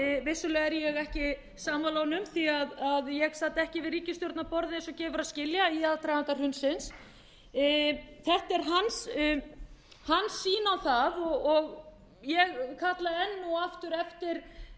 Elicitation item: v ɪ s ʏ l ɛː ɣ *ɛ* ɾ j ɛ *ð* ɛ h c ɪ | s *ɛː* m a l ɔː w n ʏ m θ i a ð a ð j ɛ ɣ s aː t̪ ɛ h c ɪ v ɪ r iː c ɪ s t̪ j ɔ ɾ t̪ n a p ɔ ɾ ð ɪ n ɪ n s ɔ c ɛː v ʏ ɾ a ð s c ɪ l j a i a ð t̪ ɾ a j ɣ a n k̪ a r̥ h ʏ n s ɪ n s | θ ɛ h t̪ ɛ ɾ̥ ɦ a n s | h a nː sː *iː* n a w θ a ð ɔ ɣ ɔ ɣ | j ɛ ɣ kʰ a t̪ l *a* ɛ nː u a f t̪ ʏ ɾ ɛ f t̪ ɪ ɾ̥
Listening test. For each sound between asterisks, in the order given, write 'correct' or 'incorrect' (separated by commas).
correct, incorrect, incorrect, correct, correct